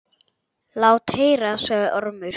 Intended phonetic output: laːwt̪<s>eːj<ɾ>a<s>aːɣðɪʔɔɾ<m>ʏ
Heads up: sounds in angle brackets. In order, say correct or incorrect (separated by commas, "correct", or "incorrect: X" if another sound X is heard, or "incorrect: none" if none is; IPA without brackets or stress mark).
incorrect: h, correct, correct, correct